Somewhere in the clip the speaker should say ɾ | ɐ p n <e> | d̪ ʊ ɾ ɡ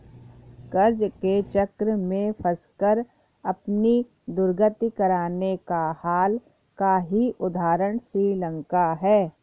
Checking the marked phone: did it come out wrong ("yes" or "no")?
yes